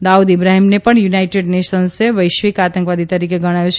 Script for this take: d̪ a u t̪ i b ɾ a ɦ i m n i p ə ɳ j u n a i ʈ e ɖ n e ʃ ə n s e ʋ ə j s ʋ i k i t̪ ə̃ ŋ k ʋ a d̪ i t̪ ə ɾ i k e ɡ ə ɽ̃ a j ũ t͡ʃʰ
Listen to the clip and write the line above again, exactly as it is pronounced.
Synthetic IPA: d̪ a u d̪ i b ɾ a ɦ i m n e p ə ɳ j u n a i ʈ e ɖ n e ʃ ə n s e ʋ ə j ʃ ʋ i k a t̪ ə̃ ŋ k ʋ a d̪ i t̪ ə ɾ i k e ɡ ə ɽ̃ a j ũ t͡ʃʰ

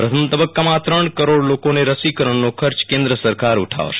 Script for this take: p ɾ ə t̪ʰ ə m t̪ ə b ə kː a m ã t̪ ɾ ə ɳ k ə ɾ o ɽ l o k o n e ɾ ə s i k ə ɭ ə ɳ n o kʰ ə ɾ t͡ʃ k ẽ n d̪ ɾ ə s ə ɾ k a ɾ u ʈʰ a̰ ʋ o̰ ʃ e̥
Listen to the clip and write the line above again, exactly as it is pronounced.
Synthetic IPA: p ɾ ə t̪ʰ ə m t̪ ə b ə kː a m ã t̪ ɾ ə ɳ k ə ɾ o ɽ l o k o n e ɾ ə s i k ə ɾ ə ɳ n o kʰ ə ɾ t͡ʃ k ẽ n d̪ ɾ ə s ə ɾ k a ɾ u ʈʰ a̰ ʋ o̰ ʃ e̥

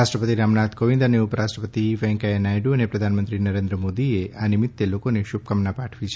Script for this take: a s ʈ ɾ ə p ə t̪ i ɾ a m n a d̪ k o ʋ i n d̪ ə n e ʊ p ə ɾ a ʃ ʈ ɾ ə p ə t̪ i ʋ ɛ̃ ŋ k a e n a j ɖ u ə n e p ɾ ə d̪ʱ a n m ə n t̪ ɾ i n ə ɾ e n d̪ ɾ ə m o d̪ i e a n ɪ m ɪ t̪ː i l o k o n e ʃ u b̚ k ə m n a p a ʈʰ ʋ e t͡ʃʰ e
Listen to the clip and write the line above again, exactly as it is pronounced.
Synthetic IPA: a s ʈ ɾ ə p ə t̪ i ɾ a m n a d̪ k o ʋ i n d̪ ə n e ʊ p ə ɾ a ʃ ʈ ɾ ə p ə t̪ i ʋ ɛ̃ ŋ k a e n a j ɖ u ə n e p ɾ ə d̪ʱ a n m ə n t̪ ɾ i n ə ɾ e n d̪ ɾ ə m o d̪ i e a n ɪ m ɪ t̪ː e l o k o n e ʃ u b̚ k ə m n a p a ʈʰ ʋ i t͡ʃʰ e

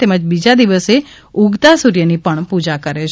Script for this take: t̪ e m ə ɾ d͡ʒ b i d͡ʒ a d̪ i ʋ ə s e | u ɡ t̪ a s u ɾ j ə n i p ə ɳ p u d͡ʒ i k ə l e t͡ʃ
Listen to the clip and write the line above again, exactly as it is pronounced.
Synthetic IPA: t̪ e m ə d͡ʒ b i d͡ʒ a d̪ i ʋ ə s e | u ɡ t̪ a s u ɾ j ə n i p ə ɳ p u d͡ʒ a k ə ɾ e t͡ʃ

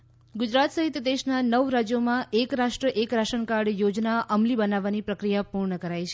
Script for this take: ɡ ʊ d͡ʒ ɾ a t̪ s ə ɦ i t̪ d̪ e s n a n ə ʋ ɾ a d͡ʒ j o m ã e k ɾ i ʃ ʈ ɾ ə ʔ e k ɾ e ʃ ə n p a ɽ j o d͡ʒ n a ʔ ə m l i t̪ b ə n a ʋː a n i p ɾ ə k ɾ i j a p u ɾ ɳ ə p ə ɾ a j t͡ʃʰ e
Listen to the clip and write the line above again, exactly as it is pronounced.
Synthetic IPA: ɡ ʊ d͡ʒ ɾ a t̪ s ə ɦ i t̪ d̪ e ʃ n a n ə ʋ ɾ a d͡ʒ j o m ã e k ɾ a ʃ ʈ ɾ ə ʔ e k ɾ a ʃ ə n k a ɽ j o d͡ʒ n a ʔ ə m l i b ə n a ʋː a n i p ɾ ə k ɾ i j a p u ɾ ɳ ə k ə ɾ a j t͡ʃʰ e

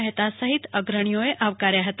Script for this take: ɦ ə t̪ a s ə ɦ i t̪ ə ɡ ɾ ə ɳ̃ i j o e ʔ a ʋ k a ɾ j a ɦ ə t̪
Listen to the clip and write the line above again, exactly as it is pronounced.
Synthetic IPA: ɦ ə t̪ a s ə ɦ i t̪ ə ɡ ɾ ə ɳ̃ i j o e ʔ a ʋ k a ɾ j a ɦ ə t̪

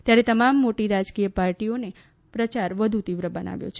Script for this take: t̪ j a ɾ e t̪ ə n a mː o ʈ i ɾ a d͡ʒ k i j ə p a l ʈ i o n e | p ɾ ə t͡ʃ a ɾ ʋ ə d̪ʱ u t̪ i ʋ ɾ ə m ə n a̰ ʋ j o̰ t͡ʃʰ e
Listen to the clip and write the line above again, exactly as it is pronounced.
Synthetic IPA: t̪ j a ɾ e t̪ ə m a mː o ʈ i ɾ a d͡ʒ k i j ə p a ɾ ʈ i o n e | p ɾ ə t͡ʃ a ɾ ʋ ə d̪ʱ u t̪ i ʋ ɾ ə b ə n a̰ ʋ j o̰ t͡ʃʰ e

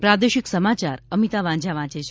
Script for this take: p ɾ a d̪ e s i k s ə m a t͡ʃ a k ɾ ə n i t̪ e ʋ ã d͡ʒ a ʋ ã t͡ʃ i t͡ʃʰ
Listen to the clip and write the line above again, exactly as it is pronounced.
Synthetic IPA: p ɾ a d̪ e ʃ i k s ə m a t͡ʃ a ɾ ə m i t̪ a ʋ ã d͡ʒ a ʋ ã t͡ʃ e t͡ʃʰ

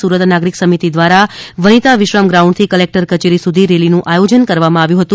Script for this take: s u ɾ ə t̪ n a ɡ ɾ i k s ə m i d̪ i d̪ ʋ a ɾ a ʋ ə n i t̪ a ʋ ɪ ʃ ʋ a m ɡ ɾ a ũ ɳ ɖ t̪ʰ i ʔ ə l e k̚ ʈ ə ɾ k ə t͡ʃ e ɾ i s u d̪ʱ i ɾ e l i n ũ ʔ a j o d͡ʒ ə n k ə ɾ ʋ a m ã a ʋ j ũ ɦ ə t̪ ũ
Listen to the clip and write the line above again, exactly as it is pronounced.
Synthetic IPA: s u ɾ ə t̪ n a ɡ ɾ i k s ə m i t̪ i d̪ ʋ a ɾ a ʋ ə n i t̪ a ʋ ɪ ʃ ʋ a m ɡ ɾ a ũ ɳ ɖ t̪ʰ i k ə l e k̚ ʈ ə ɾ k ə t͡ʃ e ɾ i s u d̪ʱ i ɾ e l i n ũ ʔ a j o d͡ʒ ə n k ə ɾ ʋ a m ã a ʋ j ũ ɦ ə t̪ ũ

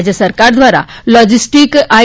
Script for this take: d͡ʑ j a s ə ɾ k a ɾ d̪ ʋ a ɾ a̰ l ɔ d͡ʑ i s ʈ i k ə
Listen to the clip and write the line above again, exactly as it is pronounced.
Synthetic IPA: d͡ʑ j ə s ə ɾ k a ɾ d̪ ʋ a ɾ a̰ l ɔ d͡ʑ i s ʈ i k a

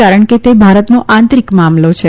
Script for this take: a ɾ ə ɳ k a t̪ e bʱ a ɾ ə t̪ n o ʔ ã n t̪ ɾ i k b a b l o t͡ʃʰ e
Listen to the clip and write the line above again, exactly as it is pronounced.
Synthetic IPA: a ɾ ə ɳ k e t̪ e bʱ a ɾ ə t̪ n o ʔ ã n t̪ ɾ i k m a m l o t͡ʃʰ e

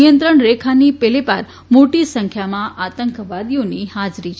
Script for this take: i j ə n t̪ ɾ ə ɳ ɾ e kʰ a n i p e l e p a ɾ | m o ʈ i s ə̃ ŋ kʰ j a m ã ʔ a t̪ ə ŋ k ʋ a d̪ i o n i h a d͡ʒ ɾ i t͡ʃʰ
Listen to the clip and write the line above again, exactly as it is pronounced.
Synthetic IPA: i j ə n t̪ ɾ ə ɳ ɾ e kʰ a n i p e l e p a ɾ | m o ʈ i s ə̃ ŋ kʰ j a m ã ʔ a t̪ ə ŋ k ʋ a d̪ i o n i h a d͡ʒ ɾ i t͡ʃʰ

